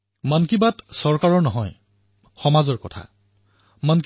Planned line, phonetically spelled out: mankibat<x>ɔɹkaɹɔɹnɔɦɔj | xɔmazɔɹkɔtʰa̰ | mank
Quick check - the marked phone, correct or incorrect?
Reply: incorrect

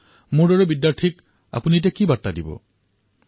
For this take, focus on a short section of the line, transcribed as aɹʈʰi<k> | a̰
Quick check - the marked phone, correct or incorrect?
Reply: correct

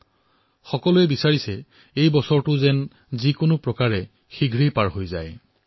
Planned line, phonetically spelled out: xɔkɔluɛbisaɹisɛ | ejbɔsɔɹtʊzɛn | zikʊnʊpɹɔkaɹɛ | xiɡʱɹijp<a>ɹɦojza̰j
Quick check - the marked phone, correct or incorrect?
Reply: correct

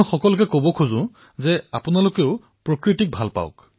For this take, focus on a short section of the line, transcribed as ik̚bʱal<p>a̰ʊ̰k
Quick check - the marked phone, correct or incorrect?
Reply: correct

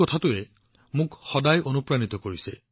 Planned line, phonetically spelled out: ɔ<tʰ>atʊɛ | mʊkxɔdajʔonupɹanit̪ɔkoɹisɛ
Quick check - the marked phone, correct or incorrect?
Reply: correct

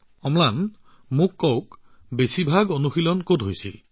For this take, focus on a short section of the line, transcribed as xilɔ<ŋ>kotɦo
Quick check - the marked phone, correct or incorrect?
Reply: incorrect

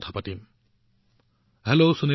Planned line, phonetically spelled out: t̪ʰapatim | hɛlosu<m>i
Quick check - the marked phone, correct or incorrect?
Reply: incorrect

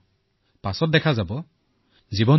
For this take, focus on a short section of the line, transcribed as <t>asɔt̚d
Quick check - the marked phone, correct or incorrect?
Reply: incorrect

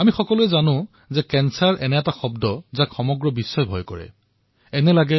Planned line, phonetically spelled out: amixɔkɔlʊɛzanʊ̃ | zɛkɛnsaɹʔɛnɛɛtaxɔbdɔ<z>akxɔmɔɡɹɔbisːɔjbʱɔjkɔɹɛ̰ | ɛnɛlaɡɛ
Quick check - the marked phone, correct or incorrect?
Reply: correct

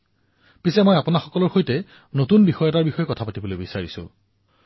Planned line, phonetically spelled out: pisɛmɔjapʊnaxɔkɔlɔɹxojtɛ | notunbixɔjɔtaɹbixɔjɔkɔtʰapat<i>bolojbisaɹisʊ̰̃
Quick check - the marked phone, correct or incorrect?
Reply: correct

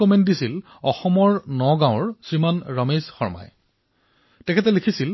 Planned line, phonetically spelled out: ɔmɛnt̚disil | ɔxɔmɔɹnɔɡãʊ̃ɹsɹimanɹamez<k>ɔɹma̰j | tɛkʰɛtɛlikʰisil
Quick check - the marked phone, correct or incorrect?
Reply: incorrect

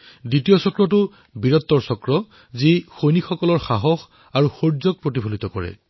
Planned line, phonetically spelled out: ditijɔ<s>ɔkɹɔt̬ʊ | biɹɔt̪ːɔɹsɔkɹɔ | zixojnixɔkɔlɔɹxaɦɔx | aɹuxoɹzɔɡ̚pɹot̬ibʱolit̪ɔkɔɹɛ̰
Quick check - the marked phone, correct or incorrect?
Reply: correct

